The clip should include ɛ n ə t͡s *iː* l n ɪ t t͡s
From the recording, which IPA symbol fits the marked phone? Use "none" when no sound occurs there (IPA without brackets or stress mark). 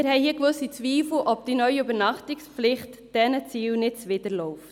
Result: iː